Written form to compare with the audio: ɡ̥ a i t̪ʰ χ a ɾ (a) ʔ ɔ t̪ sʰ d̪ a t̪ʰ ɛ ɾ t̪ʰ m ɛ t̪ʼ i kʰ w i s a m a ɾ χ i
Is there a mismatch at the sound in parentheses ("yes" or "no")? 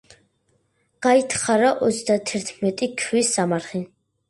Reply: no